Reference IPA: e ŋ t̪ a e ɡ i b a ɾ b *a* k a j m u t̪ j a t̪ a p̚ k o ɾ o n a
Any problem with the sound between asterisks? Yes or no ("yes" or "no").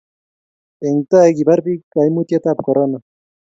yes